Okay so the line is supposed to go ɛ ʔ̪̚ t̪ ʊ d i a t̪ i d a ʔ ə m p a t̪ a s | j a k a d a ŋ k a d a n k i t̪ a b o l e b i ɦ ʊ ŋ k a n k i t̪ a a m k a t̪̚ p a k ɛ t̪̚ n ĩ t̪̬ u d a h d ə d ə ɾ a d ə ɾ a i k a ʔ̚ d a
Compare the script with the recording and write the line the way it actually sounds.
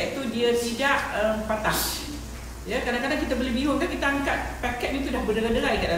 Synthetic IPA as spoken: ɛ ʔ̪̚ t̪ u d i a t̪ i d a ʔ ə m p a t̪ a s | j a k a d a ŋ k a d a ŋ k i t̪ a b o l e b i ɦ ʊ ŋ k a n k i t̪ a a ŋ k a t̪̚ p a k ɛ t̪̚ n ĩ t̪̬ u d a h b ə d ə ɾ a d ə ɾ a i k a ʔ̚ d a